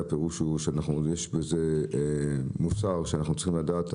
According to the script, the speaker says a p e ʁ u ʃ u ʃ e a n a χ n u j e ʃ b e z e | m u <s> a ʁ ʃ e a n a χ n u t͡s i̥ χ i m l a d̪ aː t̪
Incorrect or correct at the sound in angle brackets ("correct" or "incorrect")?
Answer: correct